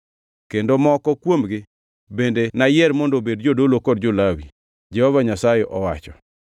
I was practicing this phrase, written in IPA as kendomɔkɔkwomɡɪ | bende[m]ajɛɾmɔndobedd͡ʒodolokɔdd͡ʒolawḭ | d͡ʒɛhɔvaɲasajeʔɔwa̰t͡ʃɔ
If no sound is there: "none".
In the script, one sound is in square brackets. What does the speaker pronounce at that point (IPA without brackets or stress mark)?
n